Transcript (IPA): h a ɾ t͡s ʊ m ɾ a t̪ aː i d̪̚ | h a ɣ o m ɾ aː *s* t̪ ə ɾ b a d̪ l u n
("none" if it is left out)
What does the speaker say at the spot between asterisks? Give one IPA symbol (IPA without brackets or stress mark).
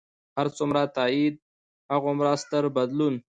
s